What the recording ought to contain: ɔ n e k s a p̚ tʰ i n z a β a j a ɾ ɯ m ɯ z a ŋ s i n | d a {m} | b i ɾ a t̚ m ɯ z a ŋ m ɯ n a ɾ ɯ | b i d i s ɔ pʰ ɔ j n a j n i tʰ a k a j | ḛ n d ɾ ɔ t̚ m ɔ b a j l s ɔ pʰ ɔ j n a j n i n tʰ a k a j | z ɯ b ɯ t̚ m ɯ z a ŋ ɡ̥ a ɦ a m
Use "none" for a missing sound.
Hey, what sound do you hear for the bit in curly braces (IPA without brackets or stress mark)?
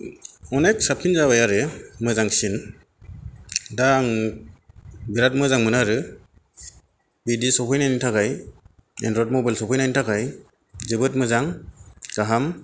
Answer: ŋ